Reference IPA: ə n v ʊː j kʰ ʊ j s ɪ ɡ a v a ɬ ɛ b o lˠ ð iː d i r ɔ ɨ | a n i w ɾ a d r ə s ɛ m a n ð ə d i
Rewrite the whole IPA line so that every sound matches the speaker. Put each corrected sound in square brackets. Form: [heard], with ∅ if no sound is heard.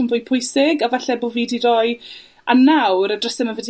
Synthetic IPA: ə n v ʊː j [pʰ] ʊ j s ɪ ɡ a v a ɬ ɛ b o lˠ [v] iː d i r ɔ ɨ | a n [a] w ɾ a d r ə s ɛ m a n [v] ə d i